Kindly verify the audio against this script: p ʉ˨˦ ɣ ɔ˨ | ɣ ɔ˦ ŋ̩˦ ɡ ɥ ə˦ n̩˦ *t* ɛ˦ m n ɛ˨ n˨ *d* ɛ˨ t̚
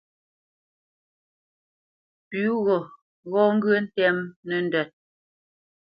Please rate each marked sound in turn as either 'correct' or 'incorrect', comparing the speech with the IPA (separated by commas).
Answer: correct, correct